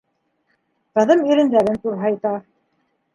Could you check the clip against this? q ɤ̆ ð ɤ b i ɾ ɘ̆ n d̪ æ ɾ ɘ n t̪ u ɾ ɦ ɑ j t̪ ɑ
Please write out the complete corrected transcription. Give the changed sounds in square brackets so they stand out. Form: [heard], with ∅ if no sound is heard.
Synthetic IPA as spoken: q ɤ̆ ð ɤ [m] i ɾ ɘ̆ n d̪ æ ɾ ɘ n t̪ u ɾ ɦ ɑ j t̪ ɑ